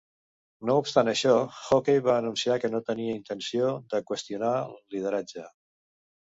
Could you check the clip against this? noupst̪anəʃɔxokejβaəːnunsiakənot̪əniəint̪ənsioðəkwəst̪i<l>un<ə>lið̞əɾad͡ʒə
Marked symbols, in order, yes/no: no, no

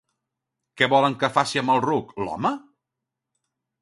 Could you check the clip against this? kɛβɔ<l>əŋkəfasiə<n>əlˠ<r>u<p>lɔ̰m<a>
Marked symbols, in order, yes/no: yes, no, yes, no, no

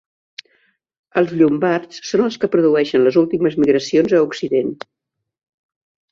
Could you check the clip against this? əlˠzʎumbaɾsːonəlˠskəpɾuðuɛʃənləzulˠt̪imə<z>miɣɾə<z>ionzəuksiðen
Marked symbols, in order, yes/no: yes, no

